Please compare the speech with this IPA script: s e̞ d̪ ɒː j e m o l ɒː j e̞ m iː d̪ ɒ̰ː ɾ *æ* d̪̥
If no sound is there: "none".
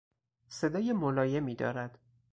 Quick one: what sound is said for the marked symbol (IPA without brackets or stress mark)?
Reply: æ